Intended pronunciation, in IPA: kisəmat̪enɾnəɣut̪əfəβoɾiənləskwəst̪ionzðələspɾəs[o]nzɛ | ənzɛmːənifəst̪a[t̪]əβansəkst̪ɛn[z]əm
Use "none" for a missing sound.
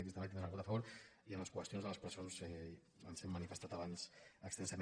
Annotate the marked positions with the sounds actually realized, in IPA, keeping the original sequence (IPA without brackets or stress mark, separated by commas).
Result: o, t̪, s